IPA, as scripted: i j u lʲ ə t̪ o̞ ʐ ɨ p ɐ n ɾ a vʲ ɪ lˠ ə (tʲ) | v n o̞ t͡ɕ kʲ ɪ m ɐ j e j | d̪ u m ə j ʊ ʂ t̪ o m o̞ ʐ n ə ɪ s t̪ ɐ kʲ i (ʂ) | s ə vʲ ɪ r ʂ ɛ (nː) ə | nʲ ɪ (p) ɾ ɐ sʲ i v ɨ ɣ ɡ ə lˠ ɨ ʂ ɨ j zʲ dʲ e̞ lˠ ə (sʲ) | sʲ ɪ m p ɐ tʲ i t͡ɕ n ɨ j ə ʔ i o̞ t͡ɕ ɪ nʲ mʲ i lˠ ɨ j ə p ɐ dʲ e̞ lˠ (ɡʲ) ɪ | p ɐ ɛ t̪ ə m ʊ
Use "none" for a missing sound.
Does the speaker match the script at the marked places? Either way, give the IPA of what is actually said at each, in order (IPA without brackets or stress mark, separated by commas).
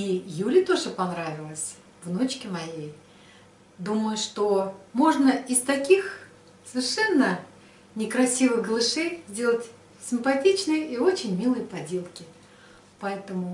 sʲ, x, nː, k, tʲ, kʲ